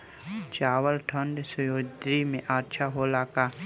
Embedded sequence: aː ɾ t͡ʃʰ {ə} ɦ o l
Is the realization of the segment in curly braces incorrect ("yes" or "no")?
yes